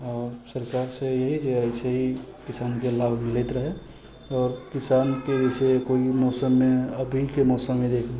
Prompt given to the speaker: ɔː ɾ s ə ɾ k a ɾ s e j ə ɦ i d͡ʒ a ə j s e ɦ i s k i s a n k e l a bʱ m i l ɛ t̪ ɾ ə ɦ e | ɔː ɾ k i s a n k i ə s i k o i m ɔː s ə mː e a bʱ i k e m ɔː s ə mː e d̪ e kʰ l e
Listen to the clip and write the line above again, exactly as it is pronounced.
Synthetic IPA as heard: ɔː ɾ s ə ɾ k a ɾ s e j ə ɦ i d͡ʒ e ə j s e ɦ i k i s a n k e l a bʱ m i l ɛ t̪ ɾ ə ɦ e | ɔː ɾ k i s a n k e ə s e k o i m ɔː s ə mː e ə bʱ i k e m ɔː s ə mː e d̪ e kʰ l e